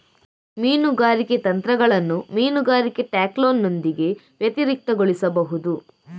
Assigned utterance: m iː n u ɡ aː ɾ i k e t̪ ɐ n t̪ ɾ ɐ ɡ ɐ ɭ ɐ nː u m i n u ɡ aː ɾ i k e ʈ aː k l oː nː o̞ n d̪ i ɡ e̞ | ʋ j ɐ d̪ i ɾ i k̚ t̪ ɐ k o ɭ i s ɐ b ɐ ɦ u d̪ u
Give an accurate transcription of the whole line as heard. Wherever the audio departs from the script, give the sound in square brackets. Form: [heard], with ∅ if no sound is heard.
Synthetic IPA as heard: m iː n u ɡ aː ɾ i k e t̪ ɐ n t̪ ɾ ɐ ɡ ɐ ɭ ɐ nː u m [iː] n u ɡ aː ɾ i k e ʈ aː k l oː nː o̞ n d̪ i ɡ e̞ | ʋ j ɐ [t̪] i ɾ i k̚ t̪ ɐ [ɡ] o ɭ i s ɐ b ɐ ɦ u d̪ u